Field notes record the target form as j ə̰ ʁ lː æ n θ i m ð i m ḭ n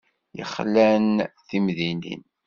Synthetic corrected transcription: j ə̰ χ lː æ n θ i m ð i n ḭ n